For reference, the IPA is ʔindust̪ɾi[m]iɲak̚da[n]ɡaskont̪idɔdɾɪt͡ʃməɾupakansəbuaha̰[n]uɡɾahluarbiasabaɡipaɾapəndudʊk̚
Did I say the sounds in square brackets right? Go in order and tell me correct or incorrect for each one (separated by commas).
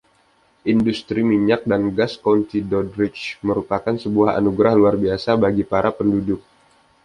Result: correct, correct, correct